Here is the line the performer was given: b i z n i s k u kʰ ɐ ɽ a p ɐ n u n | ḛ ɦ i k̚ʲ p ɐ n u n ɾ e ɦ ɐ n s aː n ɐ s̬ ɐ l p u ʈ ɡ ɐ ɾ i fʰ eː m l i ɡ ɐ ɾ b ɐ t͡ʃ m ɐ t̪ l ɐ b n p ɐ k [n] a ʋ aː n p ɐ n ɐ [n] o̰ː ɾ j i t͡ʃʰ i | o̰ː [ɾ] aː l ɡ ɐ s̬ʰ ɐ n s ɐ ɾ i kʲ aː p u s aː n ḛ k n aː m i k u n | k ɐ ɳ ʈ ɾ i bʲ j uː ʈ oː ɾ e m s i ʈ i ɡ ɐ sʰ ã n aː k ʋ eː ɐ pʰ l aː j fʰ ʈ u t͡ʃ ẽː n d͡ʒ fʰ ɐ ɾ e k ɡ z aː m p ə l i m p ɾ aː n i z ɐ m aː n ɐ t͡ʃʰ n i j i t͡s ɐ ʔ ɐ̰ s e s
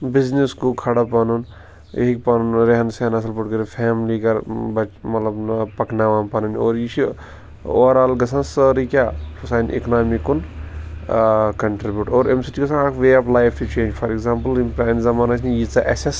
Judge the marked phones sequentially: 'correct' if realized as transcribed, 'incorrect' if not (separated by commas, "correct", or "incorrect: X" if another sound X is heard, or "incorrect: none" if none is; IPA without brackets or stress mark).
correct, correct, correct